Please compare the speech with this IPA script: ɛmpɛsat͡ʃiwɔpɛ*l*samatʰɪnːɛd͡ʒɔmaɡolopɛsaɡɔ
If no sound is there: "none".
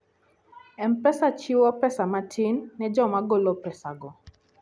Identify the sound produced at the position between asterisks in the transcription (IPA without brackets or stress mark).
none